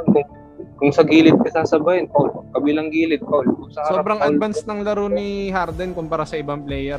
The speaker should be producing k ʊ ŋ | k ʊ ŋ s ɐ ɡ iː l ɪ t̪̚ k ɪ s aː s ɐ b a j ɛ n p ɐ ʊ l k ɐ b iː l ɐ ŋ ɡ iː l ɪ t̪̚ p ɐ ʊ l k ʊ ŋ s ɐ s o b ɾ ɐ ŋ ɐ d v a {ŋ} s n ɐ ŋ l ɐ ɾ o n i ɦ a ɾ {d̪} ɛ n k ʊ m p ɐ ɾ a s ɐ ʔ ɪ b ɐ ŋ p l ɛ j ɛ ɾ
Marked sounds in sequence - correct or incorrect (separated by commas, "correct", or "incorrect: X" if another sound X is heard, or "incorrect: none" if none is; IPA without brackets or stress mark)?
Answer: incorrect: n, correct